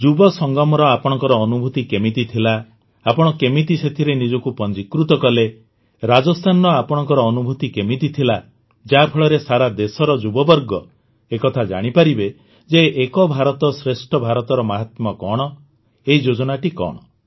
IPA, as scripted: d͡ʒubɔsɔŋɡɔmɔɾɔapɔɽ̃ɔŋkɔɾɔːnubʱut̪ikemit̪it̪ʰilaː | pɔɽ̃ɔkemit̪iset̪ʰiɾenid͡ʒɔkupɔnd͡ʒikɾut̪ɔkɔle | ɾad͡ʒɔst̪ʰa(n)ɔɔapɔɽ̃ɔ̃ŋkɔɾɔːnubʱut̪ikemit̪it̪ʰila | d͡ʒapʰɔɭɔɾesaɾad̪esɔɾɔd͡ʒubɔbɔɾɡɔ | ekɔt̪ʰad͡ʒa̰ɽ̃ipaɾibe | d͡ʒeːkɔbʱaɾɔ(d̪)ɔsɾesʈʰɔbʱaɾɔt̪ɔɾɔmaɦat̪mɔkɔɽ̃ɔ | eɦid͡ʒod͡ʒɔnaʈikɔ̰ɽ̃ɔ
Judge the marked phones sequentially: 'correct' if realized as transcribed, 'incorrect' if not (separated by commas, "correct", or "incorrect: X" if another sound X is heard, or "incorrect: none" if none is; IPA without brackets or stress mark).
correct, incorrect: t̪